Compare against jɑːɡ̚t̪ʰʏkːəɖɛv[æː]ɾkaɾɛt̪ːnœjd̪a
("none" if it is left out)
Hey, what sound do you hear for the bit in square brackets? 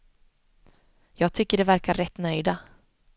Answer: æ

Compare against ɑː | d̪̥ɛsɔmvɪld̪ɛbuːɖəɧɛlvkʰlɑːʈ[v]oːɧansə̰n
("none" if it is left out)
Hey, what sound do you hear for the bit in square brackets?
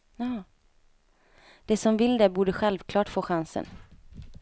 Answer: f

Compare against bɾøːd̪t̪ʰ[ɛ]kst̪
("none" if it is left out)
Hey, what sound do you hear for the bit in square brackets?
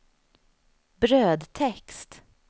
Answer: ɛ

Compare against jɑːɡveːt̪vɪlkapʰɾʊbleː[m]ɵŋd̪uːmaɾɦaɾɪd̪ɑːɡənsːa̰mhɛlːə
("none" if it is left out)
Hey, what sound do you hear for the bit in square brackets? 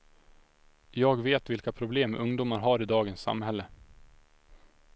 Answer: m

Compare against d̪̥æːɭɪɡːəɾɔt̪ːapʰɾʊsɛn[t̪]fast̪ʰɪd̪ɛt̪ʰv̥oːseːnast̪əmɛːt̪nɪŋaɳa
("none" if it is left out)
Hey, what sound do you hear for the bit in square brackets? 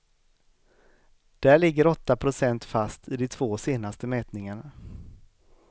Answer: t̪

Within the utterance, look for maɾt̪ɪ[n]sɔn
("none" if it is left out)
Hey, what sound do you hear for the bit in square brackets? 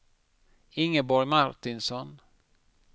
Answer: n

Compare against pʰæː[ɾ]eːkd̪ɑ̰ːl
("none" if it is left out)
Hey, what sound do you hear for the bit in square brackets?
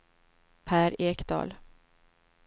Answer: ɾ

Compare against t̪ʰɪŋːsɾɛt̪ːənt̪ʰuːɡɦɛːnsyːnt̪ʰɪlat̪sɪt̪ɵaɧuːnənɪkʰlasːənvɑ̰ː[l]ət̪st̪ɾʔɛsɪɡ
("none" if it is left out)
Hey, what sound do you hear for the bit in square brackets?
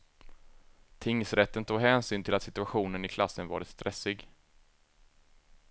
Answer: ɾ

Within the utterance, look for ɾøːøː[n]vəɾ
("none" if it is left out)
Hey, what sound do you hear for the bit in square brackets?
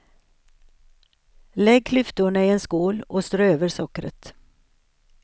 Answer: none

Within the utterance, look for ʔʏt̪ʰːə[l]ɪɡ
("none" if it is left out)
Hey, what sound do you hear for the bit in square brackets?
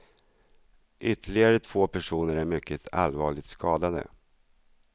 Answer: ɭ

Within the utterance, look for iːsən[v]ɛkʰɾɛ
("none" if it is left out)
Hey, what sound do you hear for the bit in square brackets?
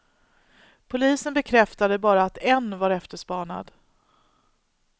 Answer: b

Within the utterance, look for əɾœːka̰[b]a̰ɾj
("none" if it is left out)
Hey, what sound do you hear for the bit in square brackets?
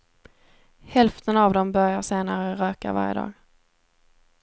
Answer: v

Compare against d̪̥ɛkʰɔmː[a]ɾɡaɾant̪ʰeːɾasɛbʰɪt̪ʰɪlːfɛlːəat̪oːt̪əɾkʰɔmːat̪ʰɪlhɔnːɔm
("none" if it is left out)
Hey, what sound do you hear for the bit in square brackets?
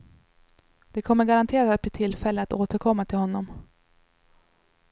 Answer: ə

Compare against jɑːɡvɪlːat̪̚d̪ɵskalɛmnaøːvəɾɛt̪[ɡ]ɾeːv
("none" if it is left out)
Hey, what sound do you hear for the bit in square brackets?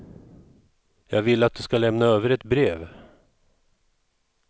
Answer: b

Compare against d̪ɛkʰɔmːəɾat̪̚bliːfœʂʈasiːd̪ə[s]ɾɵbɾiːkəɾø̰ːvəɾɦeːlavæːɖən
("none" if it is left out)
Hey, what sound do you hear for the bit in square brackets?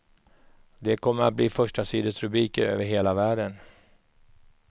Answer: s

